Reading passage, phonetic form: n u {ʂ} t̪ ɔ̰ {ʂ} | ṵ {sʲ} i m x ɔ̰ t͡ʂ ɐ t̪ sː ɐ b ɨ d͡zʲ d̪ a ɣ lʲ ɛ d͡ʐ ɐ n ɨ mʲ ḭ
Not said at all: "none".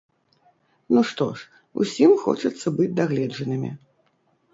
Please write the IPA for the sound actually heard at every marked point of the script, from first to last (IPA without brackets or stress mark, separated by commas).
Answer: ʂ, ʂ, sʲ